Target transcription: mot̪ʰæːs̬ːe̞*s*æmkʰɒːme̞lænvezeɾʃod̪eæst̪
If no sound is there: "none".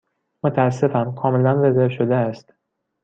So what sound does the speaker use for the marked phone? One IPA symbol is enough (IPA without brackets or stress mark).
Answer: f